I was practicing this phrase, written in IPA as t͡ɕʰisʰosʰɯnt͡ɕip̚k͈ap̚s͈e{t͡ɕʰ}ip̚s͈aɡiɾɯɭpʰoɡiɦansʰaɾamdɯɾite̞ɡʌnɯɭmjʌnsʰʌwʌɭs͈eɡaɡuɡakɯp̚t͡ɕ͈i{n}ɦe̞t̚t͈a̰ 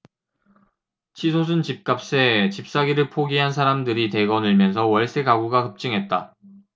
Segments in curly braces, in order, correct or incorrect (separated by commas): incorrect, incorrect